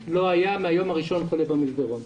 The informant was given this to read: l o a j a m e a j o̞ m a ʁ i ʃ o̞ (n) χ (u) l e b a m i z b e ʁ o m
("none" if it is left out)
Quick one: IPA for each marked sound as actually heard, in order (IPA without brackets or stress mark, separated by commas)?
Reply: n, o